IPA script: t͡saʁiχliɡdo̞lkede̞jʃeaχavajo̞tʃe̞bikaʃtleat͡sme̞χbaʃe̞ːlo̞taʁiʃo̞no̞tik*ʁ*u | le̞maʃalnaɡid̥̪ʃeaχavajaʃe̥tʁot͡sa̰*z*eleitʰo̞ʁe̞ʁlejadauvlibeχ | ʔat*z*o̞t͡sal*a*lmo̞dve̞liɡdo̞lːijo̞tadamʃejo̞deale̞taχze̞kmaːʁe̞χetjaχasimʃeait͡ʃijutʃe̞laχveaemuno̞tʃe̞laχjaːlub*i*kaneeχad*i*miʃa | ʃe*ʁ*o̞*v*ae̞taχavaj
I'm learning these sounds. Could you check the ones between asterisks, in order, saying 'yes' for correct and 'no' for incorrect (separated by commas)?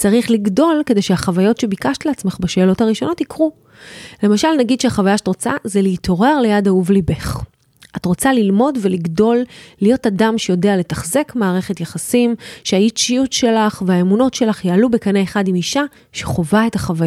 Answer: yes, yes, no, no, no, yes, no, yes